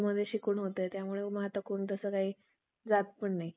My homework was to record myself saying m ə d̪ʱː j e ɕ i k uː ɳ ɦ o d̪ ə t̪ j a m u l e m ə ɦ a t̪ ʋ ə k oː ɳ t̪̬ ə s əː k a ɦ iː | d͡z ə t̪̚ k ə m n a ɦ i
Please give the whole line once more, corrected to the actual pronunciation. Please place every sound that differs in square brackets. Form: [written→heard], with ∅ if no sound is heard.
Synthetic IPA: m ə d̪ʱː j e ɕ i k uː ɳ ɦ o [d̪→t̪] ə t̪ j a m u [l→ɭ] e m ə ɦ a t̪ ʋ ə k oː ɳ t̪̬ ə s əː k a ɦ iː | d͡z [ə→a] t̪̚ [k→p] ə [m→ɳ] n a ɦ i